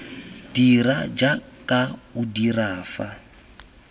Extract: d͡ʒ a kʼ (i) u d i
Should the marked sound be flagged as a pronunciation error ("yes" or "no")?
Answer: yes